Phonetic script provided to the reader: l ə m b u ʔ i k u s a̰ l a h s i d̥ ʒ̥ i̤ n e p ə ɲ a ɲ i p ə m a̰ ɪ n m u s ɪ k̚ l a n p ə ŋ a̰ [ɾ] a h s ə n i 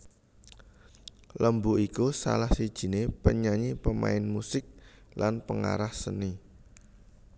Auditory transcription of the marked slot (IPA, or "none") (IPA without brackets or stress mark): ɾ